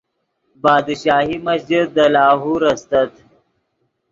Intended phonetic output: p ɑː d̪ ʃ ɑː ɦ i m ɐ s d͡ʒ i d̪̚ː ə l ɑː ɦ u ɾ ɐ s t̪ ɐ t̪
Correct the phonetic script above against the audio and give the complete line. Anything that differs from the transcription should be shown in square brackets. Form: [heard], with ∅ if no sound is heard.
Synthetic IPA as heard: [b] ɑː d̪ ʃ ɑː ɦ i m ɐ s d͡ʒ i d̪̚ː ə l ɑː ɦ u ɾ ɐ s t̪ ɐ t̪

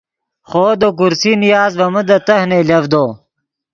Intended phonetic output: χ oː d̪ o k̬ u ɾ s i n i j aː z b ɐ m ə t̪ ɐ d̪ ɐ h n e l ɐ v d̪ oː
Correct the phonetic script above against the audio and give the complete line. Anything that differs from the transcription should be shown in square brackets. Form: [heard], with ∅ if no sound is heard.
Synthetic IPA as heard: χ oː d̪ o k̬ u ɾ s i n i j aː z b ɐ m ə [d̪] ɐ [t̪] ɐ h n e l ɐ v d̪ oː

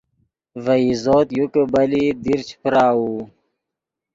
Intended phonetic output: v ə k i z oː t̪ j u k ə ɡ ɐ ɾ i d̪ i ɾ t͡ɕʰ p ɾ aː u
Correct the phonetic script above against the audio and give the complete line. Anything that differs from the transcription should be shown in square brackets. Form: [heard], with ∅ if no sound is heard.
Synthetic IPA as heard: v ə [∅] i z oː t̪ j u k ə [b] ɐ [l] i d̪ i ɾ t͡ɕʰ p ɾ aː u

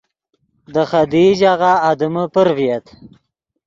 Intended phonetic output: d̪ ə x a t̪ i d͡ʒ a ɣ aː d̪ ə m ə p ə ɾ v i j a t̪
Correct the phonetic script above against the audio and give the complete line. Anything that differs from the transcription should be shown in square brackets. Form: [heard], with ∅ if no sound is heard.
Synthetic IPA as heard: d̪ ə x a [d̪] i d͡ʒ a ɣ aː d̪ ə m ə p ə ɾ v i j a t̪

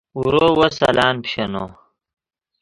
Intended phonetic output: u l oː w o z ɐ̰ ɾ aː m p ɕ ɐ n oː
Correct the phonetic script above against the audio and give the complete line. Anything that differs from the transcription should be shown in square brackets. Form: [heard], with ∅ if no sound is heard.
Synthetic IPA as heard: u [ɾ] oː w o [s] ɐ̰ [l] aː [n] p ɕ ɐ n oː

